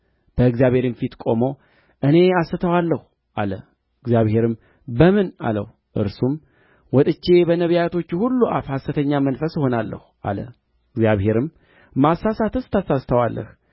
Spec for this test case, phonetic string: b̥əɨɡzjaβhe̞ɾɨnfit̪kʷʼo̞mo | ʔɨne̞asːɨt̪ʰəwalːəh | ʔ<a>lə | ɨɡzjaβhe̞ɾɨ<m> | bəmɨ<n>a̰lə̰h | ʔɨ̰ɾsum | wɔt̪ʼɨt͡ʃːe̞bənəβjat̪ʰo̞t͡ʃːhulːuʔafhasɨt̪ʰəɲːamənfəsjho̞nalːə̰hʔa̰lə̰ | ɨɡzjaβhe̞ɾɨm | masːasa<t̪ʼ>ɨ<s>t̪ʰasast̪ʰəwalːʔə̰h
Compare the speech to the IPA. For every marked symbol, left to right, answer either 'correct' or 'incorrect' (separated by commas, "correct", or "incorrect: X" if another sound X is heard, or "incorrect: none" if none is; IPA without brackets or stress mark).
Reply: correct, correct, correct, incorrect: t̪, correct